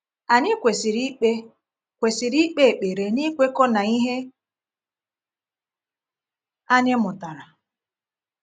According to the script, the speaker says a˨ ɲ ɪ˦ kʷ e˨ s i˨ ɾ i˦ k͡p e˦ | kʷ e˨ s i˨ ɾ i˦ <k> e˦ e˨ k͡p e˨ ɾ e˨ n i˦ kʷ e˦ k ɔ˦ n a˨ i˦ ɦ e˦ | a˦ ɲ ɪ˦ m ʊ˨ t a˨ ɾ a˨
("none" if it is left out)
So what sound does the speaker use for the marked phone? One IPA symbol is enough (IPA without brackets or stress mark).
k͡p